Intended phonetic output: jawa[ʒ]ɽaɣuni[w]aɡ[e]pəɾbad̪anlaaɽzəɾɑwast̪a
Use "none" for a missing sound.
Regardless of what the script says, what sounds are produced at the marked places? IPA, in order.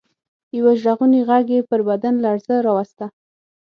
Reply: ʒ, ɣ, e

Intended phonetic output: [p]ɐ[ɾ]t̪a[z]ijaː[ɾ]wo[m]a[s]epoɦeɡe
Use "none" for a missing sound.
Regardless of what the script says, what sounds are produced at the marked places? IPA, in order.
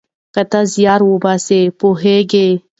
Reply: k, none, z, ɾ, b, s

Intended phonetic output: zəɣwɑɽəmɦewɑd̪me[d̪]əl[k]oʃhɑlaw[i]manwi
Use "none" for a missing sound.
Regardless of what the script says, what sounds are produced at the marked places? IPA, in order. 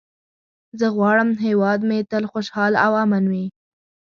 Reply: t̪, x, a

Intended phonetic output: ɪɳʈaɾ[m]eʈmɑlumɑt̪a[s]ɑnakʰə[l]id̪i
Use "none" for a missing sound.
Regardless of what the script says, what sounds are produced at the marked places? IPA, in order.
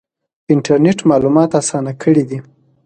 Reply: n, s, ɽ

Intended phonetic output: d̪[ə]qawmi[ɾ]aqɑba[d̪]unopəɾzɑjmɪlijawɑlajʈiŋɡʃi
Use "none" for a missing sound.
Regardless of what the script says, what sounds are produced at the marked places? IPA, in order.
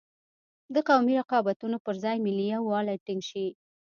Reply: ə, ɾ, t̪

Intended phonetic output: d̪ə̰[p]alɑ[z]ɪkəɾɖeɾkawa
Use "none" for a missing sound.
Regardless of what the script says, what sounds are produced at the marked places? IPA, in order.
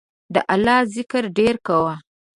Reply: ʔ, z

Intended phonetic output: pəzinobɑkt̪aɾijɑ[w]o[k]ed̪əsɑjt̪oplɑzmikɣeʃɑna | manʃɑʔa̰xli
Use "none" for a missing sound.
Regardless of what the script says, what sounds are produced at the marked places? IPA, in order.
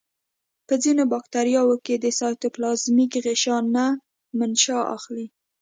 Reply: w, k

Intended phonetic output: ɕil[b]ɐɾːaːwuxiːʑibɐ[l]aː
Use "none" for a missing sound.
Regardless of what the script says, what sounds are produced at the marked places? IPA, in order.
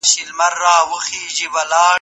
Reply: m, l

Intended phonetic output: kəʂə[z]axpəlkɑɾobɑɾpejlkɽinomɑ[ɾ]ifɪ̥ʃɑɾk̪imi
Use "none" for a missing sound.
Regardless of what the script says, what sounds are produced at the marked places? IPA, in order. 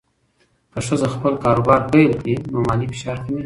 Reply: z, l

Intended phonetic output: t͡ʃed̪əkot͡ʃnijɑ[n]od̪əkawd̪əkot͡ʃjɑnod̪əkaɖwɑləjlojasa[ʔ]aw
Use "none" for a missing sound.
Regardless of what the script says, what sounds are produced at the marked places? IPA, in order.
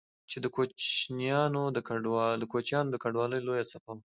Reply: n, p

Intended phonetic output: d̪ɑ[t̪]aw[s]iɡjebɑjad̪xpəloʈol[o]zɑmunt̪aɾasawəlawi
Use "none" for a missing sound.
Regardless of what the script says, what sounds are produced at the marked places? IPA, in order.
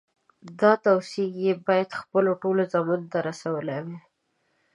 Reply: t̪, s, o

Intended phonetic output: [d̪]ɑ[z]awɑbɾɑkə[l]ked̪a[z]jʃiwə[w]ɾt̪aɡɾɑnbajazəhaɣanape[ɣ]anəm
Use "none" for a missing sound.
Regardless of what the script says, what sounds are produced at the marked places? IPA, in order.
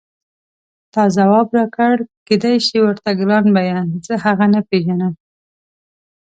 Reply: t̪, z, ɽ, none, none, ʒ

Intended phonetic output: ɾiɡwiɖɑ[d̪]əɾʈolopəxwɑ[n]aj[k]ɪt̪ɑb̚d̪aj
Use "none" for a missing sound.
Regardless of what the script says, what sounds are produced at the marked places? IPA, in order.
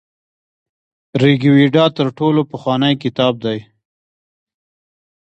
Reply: t̪, n, k

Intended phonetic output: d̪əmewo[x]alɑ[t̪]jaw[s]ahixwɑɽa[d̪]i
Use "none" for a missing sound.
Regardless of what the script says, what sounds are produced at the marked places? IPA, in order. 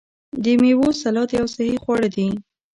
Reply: s, t̪, s, d̪

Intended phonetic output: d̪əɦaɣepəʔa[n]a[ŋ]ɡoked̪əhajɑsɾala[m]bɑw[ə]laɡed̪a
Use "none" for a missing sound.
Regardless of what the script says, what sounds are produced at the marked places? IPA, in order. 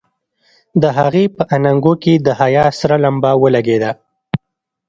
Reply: n, ŋ, m, ə

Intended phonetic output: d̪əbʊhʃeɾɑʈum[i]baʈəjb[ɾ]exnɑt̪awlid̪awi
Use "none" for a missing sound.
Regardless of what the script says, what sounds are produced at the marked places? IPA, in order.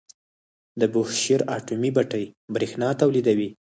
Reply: i, ɾ

